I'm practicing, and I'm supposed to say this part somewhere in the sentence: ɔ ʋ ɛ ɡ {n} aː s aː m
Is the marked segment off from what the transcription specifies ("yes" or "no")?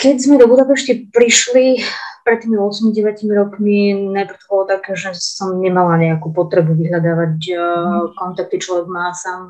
yes